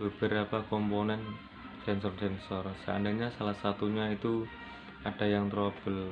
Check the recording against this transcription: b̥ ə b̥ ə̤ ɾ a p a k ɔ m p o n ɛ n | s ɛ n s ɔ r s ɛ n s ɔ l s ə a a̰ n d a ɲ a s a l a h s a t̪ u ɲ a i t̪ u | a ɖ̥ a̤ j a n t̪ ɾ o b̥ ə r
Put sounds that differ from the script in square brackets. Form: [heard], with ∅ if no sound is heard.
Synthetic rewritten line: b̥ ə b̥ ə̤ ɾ a p a k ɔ m p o n ɛ n | s ɛ n s ɔ r s ɛ n s ɔ [r] s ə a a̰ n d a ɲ a s a l a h s a t̪ u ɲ a i t̪ u | a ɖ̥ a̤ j a [ŋ] t̪ ɾ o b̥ ə [l]